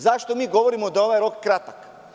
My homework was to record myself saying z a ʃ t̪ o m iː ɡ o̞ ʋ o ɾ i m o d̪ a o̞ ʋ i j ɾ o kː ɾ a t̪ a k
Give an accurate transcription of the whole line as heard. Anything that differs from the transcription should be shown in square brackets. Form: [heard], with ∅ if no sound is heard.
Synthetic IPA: z a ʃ t̪ o m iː ɡ o̞ ʋ o ɾ i m o d̪ a o̞ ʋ [a] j ɾ o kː ɾ a t̪ a k